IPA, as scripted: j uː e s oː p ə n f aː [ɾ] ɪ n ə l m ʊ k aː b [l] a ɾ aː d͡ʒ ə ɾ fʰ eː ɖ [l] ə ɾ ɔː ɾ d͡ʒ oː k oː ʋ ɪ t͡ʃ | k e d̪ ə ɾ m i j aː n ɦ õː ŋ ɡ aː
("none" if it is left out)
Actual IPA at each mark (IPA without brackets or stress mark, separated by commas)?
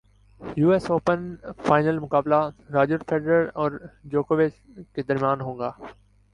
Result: none, l, ɾ